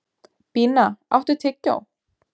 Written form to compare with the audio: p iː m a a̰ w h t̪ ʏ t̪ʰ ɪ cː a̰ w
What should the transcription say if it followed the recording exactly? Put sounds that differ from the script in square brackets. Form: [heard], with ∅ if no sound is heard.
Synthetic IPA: p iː [n] a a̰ w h t̪ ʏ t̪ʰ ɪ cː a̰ w